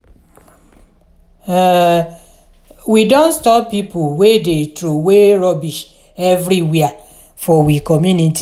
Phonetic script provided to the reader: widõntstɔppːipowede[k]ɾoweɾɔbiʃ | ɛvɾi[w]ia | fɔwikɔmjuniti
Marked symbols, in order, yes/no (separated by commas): no, yes